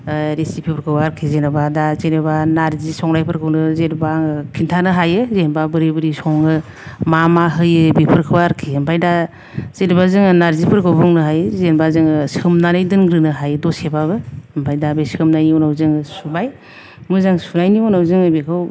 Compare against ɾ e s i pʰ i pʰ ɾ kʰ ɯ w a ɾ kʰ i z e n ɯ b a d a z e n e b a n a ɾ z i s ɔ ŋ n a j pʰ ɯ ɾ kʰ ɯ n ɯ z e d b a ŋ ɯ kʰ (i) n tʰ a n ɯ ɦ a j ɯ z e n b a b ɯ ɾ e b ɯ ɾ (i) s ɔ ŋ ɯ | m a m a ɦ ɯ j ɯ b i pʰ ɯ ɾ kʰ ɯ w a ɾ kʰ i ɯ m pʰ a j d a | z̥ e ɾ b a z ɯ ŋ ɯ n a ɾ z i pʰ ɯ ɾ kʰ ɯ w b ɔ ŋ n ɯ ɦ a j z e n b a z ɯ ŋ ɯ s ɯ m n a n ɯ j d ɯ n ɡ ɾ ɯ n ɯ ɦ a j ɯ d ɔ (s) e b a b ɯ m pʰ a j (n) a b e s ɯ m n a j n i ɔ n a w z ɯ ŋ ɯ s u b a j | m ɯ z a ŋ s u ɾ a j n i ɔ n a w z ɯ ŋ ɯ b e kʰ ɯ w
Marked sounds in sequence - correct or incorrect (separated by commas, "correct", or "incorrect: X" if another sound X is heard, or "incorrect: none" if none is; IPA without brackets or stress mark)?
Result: correct, correct, correct, incorrect: d